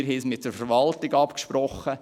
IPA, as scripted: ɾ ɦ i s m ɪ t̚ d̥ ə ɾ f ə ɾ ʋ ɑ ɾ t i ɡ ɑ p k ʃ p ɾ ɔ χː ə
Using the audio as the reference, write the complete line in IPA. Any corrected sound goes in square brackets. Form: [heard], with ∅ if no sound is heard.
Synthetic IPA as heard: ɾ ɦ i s m ɪ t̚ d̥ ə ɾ f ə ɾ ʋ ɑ [l] t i ɡ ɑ p k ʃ p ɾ ɔ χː ə